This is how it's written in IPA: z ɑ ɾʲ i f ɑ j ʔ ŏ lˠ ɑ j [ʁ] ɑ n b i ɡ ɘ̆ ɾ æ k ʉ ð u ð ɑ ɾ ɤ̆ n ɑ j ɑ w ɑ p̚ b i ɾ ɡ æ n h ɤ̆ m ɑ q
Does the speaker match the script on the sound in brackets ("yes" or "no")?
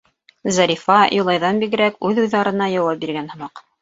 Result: no